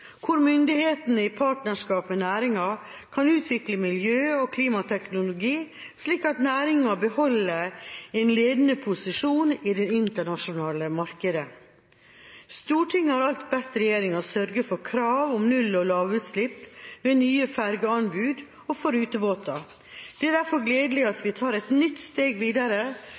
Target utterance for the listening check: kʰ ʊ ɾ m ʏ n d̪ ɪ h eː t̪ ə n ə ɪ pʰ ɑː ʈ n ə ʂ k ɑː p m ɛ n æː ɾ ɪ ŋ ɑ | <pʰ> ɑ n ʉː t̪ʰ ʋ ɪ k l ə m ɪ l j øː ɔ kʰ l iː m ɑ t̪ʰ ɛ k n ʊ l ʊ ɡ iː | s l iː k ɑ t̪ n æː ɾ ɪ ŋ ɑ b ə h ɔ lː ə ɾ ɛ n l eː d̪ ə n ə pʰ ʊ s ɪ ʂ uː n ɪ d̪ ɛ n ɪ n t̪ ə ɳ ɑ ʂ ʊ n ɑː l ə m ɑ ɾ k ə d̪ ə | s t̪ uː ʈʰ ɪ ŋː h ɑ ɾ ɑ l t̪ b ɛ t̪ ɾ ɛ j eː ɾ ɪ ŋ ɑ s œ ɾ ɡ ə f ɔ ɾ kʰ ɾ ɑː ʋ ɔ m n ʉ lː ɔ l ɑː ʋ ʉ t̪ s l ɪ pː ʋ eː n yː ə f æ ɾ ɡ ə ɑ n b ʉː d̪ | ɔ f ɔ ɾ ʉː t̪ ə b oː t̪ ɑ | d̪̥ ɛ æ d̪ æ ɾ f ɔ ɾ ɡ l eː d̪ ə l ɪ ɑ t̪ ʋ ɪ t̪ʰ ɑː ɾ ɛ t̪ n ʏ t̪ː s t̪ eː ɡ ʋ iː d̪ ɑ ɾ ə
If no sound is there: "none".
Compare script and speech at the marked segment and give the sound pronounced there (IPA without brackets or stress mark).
kʰ